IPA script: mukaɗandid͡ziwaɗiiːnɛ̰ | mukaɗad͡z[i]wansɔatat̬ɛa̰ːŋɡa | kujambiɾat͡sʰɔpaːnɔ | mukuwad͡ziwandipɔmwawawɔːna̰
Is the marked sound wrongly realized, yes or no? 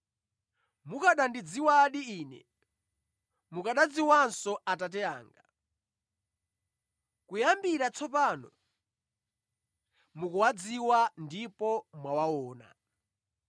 no